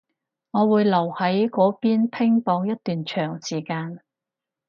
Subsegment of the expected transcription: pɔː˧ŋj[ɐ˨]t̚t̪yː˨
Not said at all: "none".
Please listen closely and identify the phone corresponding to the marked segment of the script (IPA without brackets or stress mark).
ɐ˥